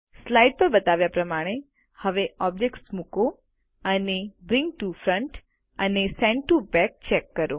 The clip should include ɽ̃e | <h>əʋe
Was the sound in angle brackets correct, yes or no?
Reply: yes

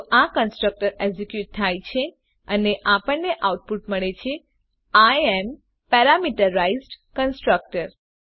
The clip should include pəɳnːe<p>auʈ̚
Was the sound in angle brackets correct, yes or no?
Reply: no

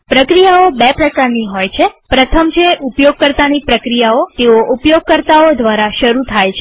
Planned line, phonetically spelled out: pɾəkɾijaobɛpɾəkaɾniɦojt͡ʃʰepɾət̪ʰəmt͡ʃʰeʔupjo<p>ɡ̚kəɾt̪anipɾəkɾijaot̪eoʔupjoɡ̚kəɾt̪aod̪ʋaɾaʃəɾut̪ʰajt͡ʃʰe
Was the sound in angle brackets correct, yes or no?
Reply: no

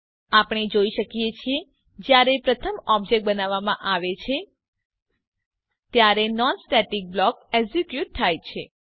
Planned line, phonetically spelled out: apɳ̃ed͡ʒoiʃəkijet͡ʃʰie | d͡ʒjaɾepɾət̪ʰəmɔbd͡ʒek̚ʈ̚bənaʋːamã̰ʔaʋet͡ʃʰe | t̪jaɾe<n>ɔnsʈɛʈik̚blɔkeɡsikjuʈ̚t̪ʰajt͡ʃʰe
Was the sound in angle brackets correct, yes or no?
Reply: yes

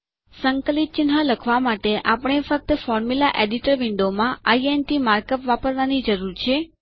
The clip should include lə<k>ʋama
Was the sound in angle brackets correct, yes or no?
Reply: no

